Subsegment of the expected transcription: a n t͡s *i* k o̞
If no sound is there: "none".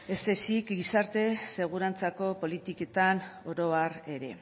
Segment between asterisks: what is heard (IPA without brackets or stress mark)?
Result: a